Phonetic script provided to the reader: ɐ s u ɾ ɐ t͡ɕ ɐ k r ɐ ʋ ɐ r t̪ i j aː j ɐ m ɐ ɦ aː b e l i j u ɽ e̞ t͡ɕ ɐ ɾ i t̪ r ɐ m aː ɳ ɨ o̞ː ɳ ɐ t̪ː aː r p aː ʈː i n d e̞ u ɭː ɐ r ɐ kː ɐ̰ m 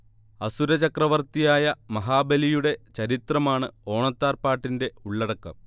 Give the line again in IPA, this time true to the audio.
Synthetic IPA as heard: ɐ s u ɾ ɐ t͡ɕ ɐ k r ɐ ʋ ɐ r t̪ i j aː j ɐ m ɐ ɦ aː b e l i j u ɽ e̞ t͡ɕ ɐ ɾ i t̪ r ɐ m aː ɳ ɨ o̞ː ɳ ɐ t̪ː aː r p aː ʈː i n d e̞ u ɭː ɐ ɽ ɐ kː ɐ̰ m